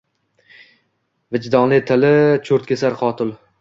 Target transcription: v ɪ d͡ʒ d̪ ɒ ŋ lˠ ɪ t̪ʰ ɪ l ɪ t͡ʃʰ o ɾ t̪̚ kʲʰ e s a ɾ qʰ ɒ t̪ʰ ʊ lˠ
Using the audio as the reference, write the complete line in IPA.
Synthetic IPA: v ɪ d͡ʒ d̪ ɒ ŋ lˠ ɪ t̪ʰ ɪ l ɪ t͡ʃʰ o ɾ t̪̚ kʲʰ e s a ɾ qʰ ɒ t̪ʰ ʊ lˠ